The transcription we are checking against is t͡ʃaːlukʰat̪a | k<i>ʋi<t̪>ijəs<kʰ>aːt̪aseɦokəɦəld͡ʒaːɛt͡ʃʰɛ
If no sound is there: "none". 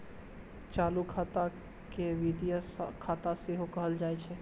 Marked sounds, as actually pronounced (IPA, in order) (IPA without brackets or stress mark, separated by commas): e, d̪, kʰ